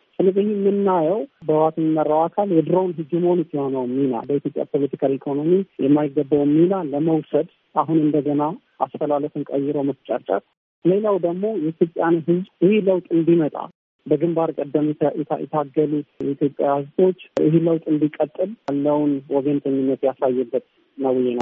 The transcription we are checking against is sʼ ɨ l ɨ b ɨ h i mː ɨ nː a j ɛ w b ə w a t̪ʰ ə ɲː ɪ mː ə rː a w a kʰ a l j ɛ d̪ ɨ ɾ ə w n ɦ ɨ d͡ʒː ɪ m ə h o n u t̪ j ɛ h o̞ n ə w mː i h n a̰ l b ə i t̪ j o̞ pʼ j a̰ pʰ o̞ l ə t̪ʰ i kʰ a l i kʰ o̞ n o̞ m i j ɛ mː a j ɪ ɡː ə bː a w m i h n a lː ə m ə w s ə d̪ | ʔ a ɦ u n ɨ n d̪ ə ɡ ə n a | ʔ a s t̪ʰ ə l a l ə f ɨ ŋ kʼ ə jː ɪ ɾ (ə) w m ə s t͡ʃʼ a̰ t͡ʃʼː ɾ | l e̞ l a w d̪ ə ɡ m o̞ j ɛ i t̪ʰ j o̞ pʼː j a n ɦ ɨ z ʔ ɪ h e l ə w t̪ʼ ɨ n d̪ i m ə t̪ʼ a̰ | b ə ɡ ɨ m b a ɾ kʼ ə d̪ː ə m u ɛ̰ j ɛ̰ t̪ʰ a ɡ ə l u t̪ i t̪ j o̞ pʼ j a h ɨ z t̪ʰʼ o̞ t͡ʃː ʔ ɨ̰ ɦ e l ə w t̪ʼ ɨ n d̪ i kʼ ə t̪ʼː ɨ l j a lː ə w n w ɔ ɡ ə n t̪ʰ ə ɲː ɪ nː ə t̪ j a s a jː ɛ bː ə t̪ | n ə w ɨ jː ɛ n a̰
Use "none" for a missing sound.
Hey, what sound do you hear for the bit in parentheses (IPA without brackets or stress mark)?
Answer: ə